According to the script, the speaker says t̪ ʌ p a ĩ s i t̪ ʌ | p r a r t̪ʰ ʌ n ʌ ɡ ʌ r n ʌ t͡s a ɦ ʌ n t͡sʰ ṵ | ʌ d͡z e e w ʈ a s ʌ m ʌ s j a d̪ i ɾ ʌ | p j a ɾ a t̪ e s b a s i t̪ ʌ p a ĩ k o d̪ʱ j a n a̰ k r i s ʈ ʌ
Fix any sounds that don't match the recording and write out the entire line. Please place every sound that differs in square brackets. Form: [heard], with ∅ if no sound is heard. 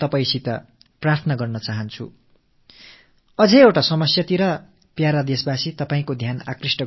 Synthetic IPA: t̪ ʌ p a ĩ s i t̪ ʌ | p r a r t̪ʰ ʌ n ʌ ɡ ʌ r n ʌ t͡s a ɦ ʌ n t͡sʰ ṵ | ʌ d͡z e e w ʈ a s ʌ m ʌ s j a [t̪] i ɾ ʌ | p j a ɾ a [d̪] e s b a s i t̪ ʌ p a ĩ k o d̪ʱ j a n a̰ k r i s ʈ ʌ